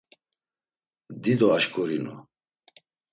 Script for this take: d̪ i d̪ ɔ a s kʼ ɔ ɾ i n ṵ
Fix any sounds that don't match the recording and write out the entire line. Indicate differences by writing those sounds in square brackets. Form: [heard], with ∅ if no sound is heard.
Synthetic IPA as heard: d̪ i d̪ ɔ a [ʃ] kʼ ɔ ɾ i n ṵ